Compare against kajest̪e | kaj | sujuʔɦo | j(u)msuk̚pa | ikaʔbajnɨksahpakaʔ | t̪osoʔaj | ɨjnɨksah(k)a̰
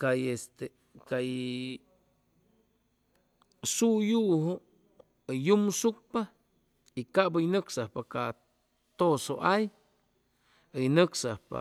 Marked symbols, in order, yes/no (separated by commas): yes, no